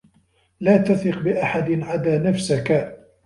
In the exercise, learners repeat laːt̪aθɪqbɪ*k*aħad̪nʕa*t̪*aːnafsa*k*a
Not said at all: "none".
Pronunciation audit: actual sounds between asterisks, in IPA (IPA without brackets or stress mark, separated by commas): ʔ, d̪, k